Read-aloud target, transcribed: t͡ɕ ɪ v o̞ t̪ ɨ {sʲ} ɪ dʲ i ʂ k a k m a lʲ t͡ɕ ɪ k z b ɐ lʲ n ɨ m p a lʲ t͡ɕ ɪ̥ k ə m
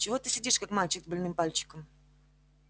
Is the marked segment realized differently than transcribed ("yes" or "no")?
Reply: no